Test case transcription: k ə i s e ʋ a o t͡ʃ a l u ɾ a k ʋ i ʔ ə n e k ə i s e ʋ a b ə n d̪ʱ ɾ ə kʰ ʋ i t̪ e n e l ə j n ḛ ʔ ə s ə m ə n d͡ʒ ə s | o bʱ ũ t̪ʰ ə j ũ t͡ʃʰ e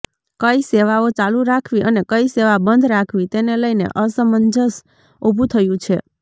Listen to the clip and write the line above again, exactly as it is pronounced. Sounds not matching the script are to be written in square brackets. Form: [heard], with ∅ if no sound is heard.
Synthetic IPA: k ə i s e ʋ a o t͡ʃ a l u ɾ a [kʰ] ʋ i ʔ ə n e k ə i s e ʋ a b ə n d̪ʱ ɾ [a] kʰ ʋ i t̪ e n e l ə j n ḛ ʔ ə s ə m ə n d͡ʒ ə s | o bʱ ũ t̪ʰ ə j ũ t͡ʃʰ e